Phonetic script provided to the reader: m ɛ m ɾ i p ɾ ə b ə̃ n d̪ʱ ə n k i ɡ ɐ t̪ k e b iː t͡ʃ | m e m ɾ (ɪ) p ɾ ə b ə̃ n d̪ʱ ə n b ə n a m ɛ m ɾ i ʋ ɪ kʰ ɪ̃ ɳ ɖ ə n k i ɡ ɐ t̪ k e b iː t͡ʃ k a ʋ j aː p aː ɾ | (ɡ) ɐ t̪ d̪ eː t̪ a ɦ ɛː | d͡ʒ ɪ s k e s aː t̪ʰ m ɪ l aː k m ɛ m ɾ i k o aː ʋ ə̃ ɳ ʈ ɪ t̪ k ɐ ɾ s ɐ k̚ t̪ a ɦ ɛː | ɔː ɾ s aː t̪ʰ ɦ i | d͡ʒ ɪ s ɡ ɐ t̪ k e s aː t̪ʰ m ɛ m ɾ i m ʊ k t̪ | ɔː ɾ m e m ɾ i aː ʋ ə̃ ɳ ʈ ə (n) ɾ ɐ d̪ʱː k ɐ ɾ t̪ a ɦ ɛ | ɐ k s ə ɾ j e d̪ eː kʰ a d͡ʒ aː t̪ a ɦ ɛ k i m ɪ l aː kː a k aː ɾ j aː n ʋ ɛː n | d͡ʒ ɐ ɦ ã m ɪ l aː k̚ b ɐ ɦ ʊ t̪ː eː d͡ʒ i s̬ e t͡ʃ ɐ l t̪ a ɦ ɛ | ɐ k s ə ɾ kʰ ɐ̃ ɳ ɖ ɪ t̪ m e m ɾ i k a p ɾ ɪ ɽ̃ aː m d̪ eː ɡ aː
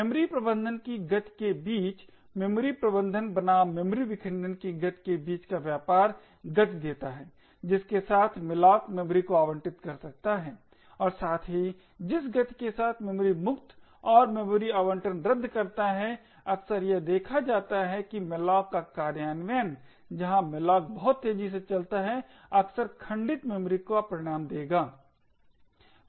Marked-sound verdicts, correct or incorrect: incorrect: i, correct, correct

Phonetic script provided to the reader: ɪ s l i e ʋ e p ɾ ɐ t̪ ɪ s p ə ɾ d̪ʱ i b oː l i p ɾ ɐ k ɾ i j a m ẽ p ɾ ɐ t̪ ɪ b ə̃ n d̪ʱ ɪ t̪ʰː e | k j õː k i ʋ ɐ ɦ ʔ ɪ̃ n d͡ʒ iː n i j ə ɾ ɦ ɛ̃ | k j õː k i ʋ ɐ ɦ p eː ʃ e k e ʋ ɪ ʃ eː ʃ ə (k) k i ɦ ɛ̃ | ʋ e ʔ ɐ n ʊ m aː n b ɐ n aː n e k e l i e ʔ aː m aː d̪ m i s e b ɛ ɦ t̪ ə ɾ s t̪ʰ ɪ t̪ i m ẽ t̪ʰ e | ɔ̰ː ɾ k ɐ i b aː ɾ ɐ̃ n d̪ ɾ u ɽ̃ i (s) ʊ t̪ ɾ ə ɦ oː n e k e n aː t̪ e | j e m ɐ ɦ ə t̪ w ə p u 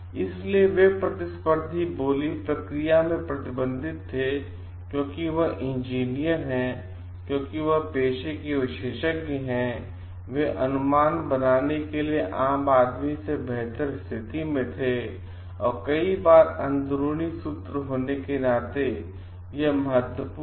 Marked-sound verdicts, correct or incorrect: correct, correct

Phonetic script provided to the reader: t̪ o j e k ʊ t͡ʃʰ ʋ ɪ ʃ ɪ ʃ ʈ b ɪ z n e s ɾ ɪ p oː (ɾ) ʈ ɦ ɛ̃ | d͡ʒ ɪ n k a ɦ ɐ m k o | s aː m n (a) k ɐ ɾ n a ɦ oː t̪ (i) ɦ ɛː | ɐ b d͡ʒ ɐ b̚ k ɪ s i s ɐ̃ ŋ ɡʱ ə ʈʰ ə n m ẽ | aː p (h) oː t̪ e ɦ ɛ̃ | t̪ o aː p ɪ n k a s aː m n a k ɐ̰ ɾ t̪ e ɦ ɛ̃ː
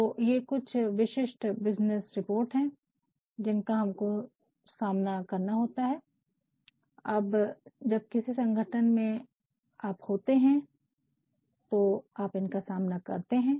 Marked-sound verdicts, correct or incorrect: correct, correct, incorrect: a, correct

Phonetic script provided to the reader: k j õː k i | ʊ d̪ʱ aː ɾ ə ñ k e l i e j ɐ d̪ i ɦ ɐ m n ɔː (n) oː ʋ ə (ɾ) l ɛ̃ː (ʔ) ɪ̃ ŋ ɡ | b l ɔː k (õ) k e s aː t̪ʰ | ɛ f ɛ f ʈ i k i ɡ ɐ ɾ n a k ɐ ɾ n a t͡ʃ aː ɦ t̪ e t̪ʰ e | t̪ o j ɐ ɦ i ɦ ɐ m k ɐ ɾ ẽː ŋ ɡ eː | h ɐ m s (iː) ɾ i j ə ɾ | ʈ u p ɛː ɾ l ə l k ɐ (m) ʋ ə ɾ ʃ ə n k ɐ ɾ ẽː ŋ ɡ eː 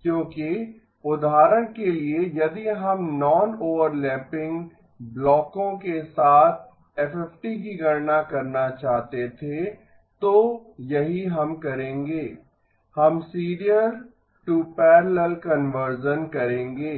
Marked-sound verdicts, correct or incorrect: correct, correct, incorrect: p, correct, correct, incorrect: n

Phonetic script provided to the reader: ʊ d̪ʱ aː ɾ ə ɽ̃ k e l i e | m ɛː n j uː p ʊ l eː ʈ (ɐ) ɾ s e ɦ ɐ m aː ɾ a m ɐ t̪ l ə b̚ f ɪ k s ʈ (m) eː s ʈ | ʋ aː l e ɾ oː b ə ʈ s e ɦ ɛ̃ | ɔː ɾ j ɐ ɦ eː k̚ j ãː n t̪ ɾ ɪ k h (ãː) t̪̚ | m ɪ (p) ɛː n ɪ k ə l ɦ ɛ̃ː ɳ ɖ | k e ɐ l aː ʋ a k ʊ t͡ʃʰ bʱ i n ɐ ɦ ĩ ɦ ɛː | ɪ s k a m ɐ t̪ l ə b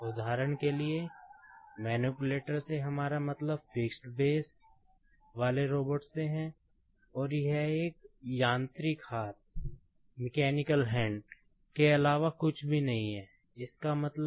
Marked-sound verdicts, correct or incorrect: incorrect: ə, incorrect: b, incorrect: aː, incorrect: k

